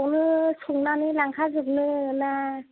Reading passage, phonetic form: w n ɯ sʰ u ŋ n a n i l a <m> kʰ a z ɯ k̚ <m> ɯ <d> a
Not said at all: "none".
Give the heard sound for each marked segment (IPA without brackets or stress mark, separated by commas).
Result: ŋ, n, n